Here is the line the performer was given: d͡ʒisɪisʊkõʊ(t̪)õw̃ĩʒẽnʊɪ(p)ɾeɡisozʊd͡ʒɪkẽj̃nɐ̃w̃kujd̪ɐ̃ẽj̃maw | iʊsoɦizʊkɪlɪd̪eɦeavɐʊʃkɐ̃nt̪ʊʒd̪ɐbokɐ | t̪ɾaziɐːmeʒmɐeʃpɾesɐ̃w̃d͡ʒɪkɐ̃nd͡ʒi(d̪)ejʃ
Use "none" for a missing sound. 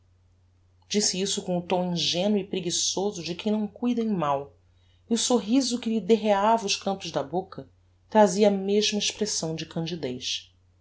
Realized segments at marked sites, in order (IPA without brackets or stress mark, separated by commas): t̪, p, d̪